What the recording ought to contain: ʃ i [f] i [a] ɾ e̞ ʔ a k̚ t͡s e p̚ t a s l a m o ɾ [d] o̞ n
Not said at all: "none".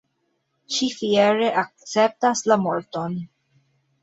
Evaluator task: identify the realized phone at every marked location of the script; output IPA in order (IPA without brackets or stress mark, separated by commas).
f, e, t